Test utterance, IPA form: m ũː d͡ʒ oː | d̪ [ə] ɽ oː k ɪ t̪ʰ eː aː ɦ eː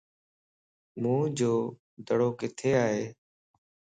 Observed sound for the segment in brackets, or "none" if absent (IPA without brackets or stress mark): ə